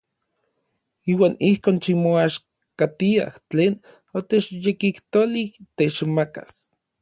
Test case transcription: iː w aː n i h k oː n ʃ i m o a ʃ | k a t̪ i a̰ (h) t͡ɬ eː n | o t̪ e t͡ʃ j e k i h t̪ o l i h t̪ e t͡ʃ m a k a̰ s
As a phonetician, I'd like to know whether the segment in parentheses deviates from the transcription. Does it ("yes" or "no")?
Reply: no